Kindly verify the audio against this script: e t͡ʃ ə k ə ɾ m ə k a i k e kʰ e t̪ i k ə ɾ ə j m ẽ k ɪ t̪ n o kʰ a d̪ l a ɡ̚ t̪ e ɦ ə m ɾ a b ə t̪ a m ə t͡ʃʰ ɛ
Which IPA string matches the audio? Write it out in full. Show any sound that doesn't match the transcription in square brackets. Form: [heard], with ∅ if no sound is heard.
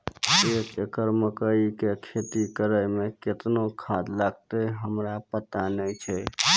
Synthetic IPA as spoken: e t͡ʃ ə k ə ɾ m ə k [ə] i k e kʰ e t̪ i k ə ɾ ə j m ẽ k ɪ t̪ n o kʰ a d̪ l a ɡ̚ t̪ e ɦ ə m ɾ a [p] ə t̪ a [n] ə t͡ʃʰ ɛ